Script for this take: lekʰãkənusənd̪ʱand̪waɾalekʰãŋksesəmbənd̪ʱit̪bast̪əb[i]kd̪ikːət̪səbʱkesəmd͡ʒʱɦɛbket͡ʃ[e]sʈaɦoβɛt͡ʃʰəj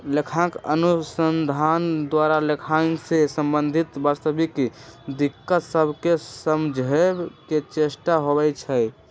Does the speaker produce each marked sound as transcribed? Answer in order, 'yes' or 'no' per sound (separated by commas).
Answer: yes, yes